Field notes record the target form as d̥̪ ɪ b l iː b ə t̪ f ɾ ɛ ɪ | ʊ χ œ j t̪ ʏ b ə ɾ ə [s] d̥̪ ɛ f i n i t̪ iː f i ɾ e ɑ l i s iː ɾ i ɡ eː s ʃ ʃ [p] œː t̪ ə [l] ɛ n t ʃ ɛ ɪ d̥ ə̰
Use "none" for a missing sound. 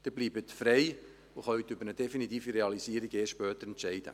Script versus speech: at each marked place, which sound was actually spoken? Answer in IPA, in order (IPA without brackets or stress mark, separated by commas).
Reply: none, p, ɾ